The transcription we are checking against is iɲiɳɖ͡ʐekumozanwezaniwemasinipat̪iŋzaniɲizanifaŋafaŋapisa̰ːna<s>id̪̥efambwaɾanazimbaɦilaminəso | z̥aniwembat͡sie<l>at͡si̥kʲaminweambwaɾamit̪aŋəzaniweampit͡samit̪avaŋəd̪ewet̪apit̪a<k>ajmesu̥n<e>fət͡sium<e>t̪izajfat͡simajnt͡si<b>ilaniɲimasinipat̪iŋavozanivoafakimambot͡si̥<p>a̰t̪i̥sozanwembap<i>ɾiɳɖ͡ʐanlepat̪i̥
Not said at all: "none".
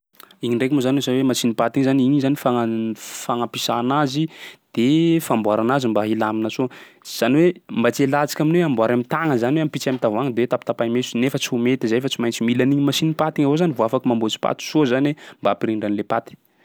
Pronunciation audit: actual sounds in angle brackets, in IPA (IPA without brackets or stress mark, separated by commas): z, l, p, e, e, m, p, i